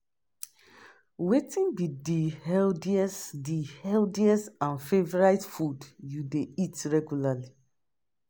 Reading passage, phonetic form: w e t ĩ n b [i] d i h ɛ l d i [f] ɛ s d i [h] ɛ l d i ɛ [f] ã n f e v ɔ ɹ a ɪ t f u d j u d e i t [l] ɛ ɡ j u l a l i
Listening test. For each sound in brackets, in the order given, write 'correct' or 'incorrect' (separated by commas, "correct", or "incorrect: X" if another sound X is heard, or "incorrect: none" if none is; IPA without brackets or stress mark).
correct, incorrect: none, correct, incorrect: s, incorrect: ɹ